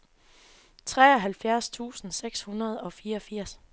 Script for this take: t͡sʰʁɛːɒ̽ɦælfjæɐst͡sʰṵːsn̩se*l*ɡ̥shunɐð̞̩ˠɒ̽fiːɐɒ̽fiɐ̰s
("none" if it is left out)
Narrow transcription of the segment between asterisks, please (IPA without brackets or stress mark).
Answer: none